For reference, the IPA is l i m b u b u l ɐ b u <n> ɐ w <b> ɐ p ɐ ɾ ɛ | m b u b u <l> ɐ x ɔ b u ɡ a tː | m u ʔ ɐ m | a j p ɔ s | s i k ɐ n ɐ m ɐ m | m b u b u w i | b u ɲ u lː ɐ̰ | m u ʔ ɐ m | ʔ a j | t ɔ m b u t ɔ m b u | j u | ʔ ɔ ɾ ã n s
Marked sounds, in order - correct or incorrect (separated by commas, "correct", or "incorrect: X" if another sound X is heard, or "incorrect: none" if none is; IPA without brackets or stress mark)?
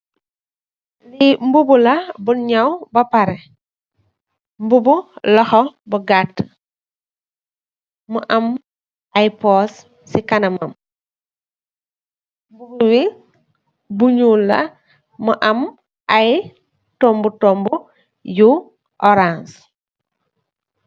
incorrect: ɲ, correct, correct